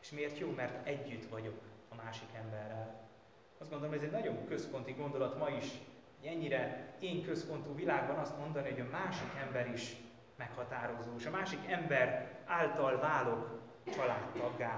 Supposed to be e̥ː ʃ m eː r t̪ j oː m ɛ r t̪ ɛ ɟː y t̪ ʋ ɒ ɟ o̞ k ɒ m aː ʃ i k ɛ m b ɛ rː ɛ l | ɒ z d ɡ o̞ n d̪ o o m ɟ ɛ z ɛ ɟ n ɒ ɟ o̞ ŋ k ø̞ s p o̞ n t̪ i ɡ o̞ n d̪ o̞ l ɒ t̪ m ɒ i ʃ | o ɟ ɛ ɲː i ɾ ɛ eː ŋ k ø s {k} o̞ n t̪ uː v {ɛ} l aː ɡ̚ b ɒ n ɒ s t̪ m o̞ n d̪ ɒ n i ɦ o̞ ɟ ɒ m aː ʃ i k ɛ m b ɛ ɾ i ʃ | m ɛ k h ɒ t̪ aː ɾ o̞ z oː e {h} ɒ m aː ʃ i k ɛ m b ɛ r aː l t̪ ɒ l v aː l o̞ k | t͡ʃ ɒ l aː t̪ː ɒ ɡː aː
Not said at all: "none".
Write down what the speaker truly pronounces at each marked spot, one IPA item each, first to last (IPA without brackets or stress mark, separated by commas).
p, i, ʃ